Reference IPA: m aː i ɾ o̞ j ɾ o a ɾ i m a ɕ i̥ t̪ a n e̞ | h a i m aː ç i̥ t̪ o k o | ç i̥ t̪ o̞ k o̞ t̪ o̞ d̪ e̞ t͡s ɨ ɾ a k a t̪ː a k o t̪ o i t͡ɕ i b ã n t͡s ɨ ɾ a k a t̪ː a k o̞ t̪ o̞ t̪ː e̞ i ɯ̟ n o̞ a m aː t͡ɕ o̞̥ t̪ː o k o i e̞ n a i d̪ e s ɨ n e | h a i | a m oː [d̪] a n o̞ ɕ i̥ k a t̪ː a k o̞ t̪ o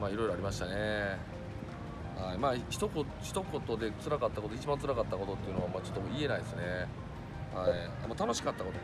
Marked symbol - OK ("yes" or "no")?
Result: no